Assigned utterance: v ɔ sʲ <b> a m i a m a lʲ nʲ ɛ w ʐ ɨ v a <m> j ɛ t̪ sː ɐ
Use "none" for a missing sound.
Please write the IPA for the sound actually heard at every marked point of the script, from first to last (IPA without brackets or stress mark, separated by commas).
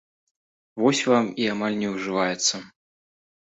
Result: v, none